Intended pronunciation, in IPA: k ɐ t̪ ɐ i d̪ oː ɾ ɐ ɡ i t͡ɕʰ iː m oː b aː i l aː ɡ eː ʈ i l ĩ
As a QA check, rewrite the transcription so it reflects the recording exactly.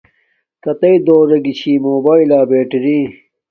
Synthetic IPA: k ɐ t̪ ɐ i d̪ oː ɾ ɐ ɡ i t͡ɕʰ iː m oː b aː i l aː b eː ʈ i ɾ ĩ